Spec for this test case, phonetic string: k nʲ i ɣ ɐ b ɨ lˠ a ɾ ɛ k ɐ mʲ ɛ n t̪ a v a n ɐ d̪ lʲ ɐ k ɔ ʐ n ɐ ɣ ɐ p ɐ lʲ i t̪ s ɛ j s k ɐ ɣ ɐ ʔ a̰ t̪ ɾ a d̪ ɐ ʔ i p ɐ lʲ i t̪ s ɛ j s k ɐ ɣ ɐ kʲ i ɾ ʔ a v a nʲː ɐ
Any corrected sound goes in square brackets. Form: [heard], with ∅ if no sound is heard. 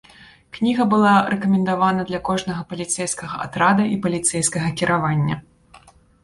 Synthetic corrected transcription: k nʲ i ɣ ɐ b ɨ lˠ a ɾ ɛ k ɐ mʲ ɛ n [d̪] a v a n ɐ d̪ lʲ ɐ k ɔ ʐ n ɐ ɣ ɐ p ɐ lʲ i t̪ s ɛ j s k ɐ ɣ ɐ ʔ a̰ t̪ ɾ a d̪ ɐ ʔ i p ɐ lʲ i t̪ s ɛ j s k ɐ ɣ ɐ kʲ i ɾ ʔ a v a nʲː ɐ